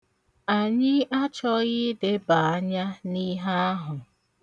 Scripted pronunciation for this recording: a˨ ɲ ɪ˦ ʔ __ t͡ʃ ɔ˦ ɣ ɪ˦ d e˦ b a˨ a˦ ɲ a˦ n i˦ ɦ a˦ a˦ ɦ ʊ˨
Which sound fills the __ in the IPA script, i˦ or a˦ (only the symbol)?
a˦